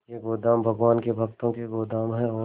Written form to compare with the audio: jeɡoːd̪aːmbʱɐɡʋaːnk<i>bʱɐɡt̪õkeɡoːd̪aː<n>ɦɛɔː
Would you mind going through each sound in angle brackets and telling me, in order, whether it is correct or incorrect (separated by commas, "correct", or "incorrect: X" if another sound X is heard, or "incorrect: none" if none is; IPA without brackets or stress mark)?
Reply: incorrect: e, incorrect: m